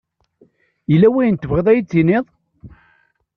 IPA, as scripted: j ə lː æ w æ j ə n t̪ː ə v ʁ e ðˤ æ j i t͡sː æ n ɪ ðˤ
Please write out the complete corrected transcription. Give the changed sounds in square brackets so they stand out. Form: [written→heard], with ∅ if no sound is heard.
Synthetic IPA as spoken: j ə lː æ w æ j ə n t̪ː ə v ʁ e ðˤ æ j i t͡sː [æ→i] n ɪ ðˤ